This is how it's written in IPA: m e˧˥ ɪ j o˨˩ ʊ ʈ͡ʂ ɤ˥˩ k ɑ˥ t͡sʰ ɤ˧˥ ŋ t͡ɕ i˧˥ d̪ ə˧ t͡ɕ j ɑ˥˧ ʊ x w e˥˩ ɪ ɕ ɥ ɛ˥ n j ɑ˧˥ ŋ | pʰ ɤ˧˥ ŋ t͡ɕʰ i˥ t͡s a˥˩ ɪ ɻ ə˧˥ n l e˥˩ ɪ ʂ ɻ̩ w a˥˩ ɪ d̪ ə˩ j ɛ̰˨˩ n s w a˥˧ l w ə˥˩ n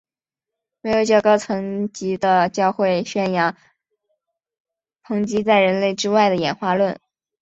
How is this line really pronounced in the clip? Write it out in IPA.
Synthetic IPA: m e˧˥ ɪ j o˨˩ ʊ ʈ͡ʂ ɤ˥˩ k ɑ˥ t͡sʰ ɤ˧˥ ŋ t͡ɕ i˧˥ d̪ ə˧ t͡ɕ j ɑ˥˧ ʊ x w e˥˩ ɪ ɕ ɥ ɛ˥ n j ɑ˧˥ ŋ | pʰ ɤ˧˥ ŋ t͡ɕ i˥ t͡s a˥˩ ɪ ɻ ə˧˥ n l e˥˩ ɪ ʈ͡ʂ ɻ̩ w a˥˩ ɪ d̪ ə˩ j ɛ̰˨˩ n x w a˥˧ l w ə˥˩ n